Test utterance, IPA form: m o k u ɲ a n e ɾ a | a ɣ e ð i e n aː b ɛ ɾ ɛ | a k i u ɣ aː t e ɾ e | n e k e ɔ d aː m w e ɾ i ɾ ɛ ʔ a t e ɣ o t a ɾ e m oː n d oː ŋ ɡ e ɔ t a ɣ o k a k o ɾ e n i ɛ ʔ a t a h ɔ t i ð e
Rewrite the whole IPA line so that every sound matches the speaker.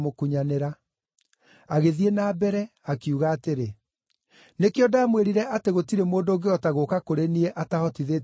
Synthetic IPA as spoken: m o k u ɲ a n e ɾ a | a ɣ e ð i e n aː b ɛ ɾ ɛ | a k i u ɣ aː t e ɾ e | n e k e ɔ d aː m w e ɾ i ɾ ɛ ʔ a t e ɣ o t i ɾ e m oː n d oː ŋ ɡ e ɔ t a ɣ o k a k o ɾ e n i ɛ ʔ a t a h ɔ t i ð e